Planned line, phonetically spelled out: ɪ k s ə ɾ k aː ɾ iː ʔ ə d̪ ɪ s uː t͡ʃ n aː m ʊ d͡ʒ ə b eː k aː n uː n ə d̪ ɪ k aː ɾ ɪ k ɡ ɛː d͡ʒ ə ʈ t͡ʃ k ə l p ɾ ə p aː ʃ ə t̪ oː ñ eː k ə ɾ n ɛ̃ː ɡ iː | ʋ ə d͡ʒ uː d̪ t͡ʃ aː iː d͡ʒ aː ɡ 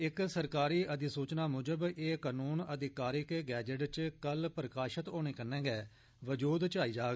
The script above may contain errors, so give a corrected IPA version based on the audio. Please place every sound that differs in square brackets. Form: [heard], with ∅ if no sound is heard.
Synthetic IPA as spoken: ɪ k s ə ɾ k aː ɾ iː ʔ ə d̪ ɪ s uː t͡ʃ n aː m ʊ d͡ʒ ə b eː k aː n uː n ə d̪ ɪ k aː ɾ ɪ k ɡ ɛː d͡ʒ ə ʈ t͡ʃ k ə l p ɾ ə [k] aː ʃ ə t̪ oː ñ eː k ə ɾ n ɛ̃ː ɡ [ɛː] | ʋ ə d͡ʒ uː d̪ t͡ʃ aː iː d͡ʒ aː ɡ